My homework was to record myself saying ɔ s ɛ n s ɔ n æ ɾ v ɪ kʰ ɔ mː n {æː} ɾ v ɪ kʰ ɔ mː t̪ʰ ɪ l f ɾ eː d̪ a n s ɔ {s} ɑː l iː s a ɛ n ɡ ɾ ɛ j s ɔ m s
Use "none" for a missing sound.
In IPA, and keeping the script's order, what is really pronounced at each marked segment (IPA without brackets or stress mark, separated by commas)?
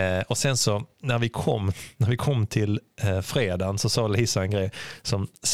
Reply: æ, s